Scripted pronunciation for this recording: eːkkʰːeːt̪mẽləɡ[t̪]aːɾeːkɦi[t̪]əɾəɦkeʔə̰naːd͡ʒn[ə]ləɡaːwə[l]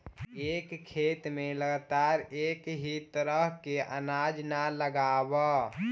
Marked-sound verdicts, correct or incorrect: correct, correct, incorrect: a, incorrect: none

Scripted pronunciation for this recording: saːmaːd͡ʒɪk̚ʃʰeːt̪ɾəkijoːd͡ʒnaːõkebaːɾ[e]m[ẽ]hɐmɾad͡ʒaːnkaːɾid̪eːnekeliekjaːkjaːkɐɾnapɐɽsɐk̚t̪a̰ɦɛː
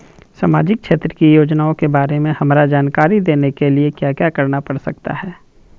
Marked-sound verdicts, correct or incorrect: correct, correct

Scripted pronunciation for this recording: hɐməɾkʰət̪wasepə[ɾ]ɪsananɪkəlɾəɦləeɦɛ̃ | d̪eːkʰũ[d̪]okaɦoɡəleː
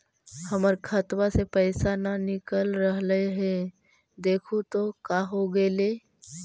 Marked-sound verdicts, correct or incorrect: incorrect: none, incorrect: t̪

